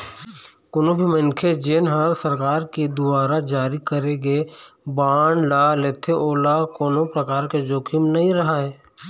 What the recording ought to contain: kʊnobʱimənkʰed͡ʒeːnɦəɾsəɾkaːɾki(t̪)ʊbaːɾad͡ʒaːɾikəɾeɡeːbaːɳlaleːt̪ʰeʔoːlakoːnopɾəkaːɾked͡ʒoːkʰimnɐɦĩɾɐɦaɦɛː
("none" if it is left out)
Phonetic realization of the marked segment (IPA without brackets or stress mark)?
d̪